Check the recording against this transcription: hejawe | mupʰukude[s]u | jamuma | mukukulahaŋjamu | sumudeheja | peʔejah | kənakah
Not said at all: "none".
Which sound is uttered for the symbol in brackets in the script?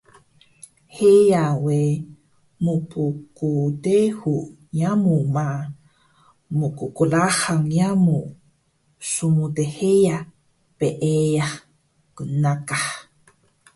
h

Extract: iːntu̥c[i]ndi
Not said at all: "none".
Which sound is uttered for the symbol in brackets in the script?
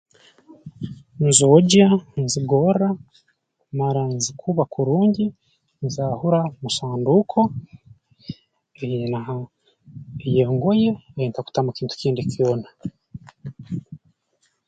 iː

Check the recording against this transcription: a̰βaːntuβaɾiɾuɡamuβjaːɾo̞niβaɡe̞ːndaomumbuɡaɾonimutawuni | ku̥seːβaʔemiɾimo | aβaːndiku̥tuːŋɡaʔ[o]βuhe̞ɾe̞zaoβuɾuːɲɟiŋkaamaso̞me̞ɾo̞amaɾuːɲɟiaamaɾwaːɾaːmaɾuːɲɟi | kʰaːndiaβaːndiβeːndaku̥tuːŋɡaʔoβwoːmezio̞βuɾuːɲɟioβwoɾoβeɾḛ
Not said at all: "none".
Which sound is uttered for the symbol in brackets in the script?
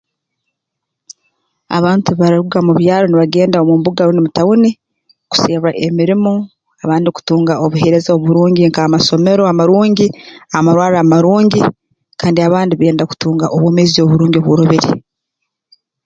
o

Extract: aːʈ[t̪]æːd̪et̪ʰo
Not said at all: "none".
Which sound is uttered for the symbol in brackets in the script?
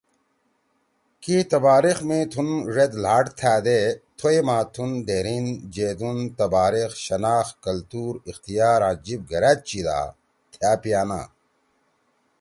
t̪ʰ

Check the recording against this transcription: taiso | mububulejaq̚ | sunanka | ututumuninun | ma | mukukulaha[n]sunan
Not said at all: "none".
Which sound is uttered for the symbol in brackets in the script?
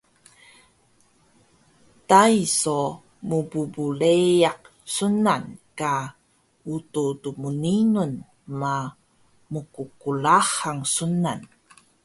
ŋ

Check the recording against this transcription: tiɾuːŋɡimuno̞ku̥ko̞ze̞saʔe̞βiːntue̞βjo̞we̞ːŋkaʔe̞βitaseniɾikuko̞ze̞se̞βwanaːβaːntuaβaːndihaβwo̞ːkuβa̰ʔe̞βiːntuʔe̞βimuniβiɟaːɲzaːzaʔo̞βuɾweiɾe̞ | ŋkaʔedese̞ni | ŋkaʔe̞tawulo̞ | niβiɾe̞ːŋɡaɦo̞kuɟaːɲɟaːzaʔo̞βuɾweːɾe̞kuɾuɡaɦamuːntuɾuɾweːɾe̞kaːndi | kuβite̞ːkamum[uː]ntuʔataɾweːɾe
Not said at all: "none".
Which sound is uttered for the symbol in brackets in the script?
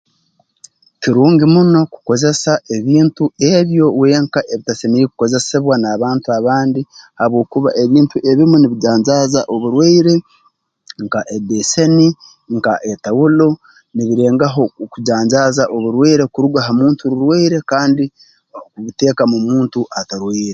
uː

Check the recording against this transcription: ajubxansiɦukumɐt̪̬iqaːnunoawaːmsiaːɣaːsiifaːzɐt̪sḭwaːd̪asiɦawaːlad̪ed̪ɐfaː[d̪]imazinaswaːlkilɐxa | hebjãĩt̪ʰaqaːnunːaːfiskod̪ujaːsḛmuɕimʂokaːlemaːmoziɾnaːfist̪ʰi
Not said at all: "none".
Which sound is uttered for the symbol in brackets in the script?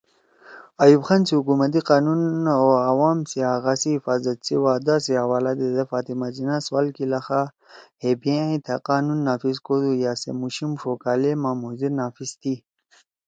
t̪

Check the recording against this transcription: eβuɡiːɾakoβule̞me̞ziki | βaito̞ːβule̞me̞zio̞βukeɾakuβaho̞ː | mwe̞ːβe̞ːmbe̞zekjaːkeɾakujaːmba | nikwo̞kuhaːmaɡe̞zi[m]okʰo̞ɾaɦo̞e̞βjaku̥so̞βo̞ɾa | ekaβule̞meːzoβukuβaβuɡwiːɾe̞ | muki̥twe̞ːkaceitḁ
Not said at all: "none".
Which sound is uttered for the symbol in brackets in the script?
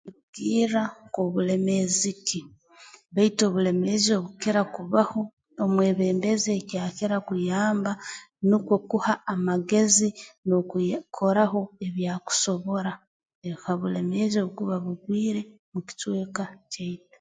n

